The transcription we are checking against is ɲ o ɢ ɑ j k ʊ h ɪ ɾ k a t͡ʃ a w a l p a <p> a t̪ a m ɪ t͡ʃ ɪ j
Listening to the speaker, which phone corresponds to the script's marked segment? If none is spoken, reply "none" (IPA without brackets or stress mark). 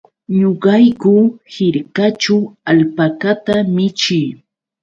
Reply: k